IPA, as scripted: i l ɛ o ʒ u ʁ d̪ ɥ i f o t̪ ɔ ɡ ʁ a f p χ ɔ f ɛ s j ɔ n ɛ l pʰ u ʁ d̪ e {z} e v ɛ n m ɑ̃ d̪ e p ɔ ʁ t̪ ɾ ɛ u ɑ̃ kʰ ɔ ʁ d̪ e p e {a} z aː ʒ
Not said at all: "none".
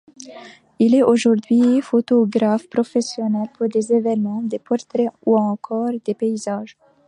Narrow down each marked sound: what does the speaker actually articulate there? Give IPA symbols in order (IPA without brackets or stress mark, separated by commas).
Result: z, i